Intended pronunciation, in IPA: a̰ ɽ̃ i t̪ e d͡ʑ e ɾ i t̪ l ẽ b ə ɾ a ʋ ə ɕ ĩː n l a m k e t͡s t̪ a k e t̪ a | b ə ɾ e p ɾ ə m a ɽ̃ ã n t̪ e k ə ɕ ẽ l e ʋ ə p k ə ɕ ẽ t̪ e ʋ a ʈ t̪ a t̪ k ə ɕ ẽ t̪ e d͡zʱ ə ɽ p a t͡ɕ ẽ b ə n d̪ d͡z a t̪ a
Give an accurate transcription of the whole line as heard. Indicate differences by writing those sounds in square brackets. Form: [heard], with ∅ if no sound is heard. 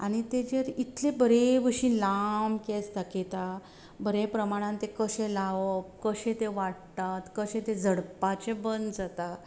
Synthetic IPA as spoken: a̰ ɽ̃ i t̪ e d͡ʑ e ɾ i t̪ l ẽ b ə ɾ [e] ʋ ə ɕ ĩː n l a m k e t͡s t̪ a k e t̪ a | b ə ɾ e p ɾ ə m a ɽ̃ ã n t̪ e k ə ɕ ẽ l [a] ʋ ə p k ə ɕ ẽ t̪ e ʋ a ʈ t̪ a t̪ k ə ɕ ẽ t̪ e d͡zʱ ə ɽ p a t͡ɕ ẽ b ə n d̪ d͡z a t̪ a